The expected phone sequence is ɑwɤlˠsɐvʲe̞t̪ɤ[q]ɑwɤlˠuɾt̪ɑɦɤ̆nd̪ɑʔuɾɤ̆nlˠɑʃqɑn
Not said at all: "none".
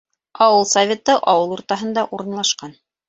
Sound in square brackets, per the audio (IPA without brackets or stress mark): ʔ